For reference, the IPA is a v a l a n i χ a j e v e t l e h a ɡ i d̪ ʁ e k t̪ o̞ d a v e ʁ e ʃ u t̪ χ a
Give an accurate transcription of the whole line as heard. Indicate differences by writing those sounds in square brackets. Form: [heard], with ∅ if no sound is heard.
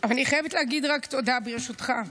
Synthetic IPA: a v a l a n i χ a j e v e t l e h a ɡ i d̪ ʁ [a] k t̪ o̞ d a [b] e ʁ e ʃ u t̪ χ a